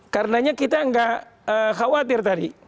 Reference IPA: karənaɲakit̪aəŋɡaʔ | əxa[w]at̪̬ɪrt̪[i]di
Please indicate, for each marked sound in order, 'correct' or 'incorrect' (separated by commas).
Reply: correct, incorrect